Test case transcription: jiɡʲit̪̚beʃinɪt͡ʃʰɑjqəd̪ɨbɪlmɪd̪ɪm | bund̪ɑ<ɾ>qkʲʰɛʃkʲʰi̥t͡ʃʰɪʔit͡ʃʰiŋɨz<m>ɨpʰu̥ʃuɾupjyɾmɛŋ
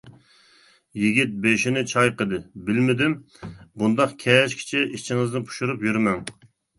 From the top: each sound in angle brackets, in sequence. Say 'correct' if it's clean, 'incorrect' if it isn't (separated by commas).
incorrect, incorrect